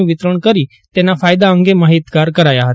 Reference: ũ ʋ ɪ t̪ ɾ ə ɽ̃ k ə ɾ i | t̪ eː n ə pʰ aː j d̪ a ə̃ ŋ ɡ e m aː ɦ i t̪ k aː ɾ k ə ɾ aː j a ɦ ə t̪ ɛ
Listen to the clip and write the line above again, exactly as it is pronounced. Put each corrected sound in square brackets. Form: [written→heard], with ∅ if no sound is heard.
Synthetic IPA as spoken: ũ ʋ ɪ t̪ ɾ ə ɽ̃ k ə ɾ i | t̪ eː n [ə→a] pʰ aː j d̪ a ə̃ ŋ ɡ e m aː ɦ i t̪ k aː ɾ k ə ɾ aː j a ɦ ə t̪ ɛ

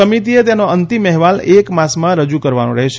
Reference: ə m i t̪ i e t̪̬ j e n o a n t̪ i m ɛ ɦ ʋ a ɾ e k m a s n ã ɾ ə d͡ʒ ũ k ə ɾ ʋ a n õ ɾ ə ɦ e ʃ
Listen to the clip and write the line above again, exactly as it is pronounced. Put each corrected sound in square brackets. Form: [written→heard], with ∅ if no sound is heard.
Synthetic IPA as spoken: ə m i t̪ i e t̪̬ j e n o [a→ə] n t̪ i m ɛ ɦ ʋ a [ɾ→l] e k m a s [n→m] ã ɾ ə d͡ʒ [ũ→u] k ə ɾ ʋ a n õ ɾ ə ɦ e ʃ

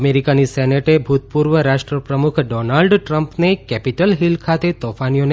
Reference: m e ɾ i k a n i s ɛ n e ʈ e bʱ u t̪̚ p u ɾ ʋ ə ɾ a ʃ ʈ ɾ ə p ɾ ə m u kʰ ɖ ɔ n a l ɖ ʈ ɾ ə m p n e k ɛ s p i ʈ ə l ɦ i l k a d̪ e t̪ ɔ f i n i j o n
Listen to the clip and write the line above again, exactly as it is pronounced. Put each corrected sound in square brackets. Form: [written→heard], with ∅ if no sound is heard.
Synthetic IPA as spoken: m e ɾ i k a n i s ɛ n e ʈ e bʱ u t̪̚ p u ɾ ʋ ə ɾ a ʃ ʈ ɾ ə p ɾ ə m u kʰ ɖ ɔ n a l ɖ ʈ ɾ ə m p n e k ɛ [s→∅] p i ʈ ə l ɦ i l [k→kʰ] a [d̪→t̪] e t̪ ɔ f [i→a] n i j o n

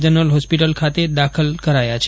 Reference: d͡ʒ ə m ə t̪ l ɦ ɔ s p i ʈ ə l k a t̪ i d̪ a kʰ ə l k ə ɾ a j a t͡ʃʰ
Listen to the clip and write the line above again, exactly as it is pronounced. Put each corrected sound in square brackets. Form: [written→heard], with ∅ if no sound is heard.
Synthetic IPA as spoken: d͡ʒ ə [m→n] ə [t̪→∅] l ɦ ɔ s p i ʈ ə l [k→kʰ] a t̪ [i→e] d̪ a kʰ ə l k ə ɾ a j a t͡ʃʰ

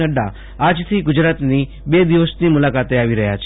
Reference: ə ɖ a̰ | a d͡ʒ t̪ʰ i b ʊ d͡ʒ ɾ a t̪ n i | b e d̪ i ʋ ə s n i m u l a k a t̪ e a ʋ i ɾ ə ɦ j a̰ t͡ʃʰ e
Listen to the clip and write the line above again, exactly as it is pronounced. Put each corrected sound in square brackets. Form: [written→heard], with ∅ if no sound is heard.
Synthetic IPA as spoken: ə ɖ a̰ | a d͡ʒ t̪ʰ i [b→ɡ] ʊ d͡ʒ ɾ a t̪ n i | b e d̪ i ʋ ə s n i m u l a k a t̪ e a ʋ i ɾ ə ɦ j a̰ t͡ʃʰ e

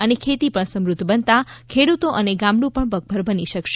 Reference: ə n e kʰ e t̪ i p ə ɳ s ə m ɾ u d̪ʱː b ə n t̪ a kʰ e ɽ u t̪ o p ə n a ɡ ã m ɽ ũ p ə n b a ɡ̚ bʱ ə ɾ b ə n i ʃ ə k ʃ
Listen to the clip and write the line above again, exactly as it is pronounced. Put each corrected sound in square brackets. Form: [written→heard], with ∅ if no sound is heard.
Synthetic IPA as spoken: ə n e kʰ e t̪ i p ə ɳ s ə m ɾ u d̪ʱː b ə n t̪ a kʰ e ɽ u t̪ o [p→ʔ] ə n [a→e] ɡ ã m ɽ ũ p ə [n→ɳ] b [a→ə] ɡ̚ bʱ ə ɾ b ə n i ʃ ə k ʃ

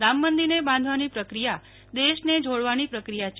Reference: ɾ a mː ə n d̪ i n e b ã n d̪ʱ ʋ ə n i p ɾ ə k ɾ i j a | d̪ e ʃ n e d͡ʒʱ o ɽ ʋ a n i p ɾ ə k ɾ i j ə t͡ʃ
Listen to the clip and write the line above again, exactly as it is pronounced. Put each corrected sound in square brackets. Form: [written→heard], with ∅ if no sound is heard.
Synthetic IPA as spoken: ɾ a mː ə n d̪ i n e b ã n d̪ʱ ʋ [ə→a] n i p ɾ ə k ɾ i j a | d̪ e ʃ n e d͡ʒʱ o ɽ ʋ a n i p ɾ ə k ɾ i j [ə→a] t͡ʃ

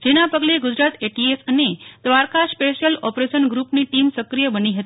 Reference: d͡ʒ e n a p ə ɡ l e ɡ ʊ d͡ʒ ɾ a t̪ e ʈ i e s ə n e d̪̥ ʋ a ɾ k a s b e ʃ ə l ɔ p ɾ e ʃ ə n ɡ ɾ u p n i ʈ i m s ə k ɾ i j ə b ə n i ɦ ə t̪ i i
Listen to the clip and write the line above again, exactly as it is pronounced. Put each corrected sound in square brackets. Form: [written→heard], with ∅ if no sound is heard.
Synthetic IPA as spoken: d͡ʒ e n a p ə ɡ l e ɡ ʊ d͡ʒ ɾ a t̪ e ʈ i e s ə n e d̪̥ ʋ a ɾ k a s [b→p] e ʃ ə l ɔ p ɾ e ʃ ə n ɡ ɾ u p n i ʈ i m s ə k ɾ i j ə b ə n i ɦ ə t̪ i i

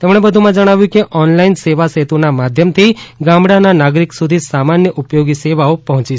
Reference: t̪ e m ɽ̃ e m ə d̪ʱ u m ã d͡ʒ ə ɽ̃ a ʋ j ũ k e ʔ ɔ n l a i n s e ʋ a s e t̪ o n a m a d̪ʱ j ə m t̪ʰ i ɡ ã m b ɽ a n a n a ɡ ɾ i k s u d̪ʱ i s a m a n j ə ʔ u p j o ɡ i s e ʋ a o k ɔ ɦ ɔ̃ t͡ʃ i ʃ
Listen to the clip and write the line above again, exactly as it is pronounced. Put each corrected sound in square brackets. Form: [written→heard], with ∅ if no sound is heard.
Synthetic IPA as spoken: t̪ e m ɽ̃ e [m→b] ə d̪ʱ u m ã d͡ʒ ə ɽ̃ a ʋ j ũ k e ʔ ɔ n l a i n s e ʋ a s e t̪ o n a m a d̪ʱ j ə m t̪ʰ i ɡ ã m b ɽ a n a n a ɡ ɾ i k s u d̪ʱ i s a m a n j ə ʔ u p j o ɡ i s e ʋ a o [k→p] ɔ ɦ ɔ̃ t͡ʃ i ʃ

